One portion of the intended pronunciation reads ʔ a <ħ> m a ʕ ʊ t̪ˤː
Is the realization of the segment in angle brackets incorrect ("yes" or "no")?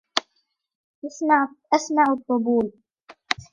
yes